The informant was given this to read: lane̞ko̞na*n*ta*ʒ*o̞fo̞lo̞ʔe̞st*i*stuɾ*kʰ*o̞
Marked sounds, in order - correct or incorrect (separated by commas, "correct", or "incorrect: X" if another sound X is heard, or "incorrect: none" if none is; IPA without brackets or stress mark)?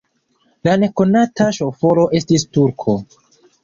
incorrect: none, incorrect: ʃ, correct, correct